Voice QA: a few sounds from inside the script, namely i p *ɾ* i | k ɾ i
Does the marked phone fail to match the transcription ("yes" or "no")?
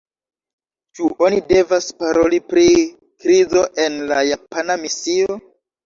no